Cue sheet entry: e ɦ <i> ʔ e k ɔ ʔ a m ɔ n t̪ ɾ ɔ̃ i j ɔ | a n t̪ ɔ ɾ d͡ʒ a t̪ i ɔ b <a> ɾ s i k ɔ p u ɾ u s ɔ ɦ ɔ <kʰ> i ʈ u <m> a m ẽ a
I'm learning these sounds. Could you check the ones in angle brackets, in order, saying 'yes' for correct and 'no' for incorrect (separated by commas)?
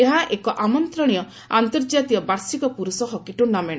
no, yes, no, no